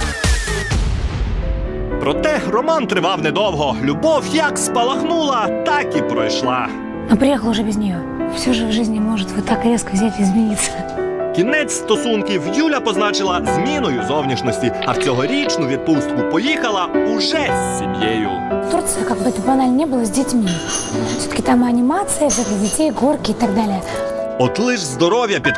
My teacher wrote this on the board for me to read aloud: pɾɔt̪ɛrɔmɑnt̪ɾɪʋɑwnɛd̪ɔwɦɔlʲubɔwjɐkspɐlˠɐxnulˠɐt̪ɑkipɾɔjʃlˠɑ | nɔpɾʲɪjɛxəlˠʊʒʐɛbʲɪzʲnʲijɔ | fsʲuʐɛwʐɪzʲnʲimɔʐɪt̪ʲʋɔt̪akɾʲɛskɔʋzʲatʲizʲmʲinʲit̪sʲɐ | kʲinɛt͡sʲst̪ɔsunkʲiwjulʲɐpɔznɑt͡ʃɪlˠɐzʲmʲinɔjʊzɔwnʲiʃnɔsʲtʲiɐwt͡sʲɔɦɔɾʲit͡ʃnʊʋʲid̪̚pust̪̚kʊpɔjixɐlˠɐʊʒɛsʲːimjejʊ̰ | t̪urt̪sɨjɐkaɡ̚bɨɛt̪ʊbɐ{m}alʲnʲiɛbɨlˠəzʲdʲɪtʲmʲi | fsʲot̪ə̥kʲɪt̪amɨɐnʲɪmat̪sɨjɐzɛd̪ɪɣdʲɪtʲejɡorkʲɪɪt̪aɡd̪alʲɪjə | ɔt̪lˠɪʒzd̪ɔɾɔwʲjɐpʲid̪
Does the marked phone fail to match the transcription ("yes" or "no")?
yes